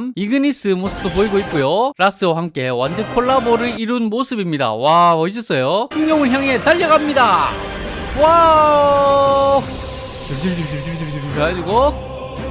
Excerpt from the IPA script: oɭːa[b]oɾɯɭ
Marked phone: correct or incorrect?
correct